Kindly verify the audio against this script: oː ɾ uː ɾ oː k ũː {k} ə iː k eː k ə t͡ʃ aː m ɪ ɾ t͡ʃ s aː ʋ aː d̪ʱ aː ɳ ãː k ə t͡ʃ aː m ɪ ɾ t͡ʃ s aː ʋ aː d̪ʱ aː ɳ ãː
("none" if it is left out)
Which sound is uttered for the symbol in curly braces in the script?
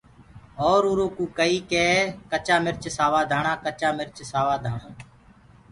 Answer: k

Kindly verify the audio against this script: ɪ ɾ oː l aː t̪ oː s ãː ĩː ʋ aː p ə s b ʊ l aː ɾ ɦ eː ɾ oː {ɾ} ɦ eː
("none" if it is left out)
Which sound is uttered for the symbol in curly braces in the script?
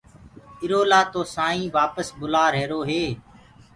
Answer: none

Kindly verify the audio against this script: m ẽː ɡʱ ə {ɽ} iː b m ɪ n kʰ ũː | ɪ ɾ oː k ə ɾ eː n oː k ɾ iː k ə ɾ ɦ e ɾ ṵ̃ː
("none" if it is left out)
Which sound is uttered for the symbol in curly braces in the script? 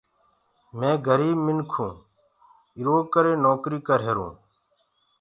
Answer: ɾ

